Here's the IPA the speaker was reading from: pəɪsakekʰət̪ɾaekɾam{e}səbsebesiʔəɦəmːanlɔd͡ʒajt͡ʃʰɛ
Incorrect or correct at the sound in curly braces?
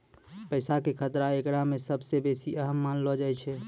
correct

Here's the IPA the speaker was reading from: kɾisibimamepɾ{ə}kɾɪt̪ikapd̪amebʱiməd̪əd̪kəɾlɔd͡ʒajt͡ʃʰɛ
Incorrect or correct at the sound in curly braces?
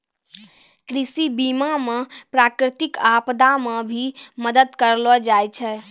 incorrect: a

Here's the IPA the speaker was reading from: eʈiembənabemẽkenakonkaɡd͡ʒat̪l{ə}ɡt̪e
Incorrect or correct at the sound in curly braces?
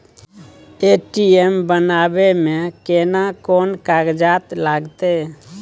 incorrect: a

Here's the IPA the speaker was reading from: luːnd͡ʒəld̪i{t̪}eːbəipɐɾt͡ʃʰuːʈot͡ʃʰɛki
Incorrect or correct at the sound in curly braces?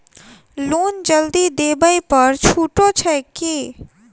incorrect: d̪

